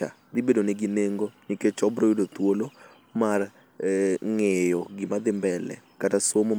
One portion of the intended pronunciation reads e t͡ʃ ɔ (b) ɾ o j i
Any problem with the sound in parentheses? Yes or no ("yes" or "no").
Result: no